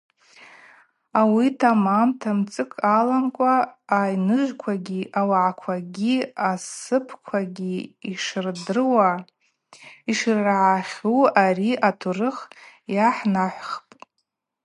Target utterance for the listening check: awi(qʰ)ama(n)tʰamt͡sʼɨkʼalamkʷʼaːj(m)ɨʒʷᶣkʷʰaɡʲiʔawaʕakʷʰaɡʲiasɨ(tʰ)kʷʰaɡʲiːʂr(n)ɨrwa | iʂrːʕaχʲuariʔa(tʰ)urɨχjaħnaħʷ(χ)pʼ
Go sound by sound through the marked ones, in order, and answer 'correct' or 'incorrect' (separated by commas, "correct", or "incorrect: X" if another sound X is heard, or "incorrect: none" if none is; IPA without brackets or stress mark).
incorrect: tʰ, incorrect: m, incorrect: n, incorrect: pʰ, incorrect: d, correct, correct